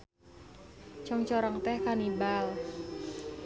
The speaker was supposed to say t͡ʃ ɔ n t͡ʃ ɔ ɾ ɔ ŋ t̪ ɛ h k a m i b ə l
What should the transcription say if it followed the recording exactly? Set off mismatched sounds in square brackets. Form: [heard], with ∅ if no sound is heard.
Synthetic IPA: t͡ʃ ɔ [ŋ] t͡ʃ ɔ ɾ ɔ ŋ t̪ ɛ h k a [n] i b [a] l